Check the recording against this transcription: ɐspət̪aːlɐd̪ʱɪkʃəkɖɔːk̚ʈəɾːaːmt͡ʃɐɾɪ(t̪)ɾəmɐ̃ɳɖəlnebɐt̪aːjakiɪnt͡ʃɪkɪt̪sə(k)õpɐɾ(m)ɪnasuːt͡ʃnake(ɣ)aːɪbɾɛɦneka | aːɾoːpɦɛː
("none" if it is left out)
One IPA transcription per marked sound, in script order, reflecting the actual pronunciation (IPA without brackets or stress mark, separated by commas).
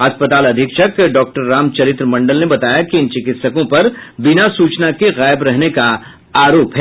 t̪, k, b, ɣ